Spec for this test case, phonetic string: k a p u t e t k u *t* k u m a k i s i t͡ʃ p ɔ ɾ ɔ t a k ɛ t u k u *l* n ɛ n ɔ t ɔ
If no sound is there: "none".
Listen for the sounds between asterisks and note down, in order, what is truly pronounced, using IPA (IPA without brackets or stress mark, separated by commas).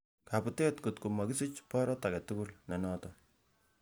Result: t, l